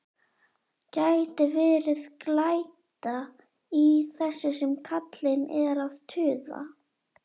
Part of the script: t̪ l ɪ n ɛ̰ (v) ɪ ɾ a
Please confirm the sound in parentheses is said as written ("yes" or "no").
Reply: no